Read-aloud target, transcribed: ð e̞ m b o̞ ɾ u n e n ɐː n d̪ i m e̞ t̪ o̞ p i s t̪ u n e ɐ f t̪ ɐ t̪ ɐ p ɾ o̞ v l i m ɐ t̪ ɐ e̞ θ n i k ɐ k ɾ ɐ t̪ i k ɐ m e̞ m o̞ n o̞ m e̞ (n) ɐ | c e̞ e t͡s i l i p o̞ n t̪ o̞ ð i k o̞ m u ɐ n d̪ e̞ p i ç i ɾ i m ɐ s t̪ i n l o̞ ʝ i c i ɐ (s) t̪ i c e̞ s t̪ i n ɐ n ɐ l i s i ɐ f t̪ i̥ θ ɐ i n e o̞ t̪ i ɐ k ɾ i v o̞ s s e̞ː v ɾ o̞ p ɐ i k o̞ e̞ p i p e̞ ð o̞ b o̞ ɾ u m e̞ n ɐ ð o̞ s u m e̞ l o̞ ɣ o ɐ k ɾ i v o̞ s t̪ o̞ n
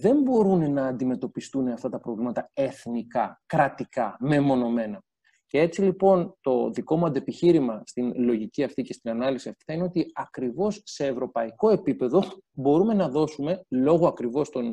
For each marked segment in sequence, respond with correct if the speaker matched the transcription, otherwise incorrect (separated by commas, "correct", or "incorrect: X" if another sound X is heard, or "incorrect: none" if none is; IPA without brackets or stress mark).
correct, incorrect: f